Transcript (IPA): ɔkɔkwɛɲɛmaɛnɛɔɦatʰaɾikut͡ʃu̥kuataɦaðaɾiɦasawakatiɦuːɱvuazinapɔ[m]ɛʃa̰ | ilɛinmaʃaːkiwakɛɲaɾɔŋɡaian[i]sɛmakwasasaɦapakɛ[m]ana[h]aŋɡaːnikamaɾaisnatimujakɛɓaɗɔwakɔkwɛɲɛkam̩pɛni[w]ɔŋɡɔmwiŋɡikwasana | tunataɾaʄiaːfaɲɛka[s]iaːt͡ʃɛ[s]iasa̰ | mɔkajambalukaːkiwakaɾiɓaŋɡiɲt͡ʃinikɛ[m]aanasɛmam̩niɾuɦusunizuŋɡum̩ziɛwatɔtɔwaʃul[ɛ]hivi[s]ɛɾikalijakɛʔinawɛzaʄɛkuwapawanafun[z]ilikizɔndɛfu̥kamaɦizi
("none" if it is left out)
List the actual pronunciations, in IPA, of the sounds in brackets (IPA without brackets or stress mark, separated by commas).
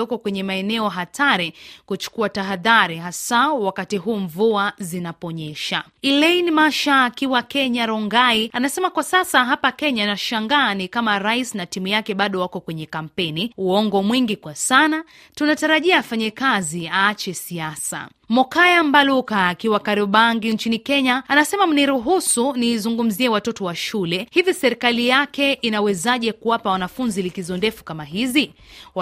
ɲ, a, ɲ, ʃ, u, z, s, ɲ, ɛ, s, z